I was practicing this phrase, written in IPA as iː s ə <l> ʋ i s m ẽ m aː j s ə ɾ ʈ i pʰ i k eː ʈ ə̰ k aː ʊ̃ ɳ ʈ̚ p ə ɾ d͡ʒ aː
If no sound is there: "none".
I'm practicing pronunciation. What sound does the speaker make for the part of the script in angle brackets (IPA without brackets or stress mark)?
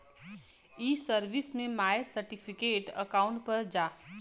ɾ